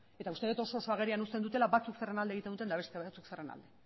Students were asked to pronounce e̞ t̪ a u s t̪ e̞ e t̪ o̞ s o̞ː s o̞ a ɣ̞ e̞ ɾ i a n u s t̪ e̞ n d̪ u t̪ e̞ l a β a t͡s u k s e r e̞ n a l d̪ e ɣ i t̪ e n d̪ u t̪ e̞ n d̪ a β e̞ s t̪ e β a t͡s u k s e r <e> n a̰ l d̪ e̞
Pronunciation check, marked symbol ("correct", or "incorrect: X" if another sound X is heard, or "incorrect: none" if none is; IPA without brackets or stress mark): correct